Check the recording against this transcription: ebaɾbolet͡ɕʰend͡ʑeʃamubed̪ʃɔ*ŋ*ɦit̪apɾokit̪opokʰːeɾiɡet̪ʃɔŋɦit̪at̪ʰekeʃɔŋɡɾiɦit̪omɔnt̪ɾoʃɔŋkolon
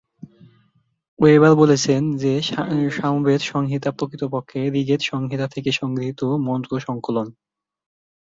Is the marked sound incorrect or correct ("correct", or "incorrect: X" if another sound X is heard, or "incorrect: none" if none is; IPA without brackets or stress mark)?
correct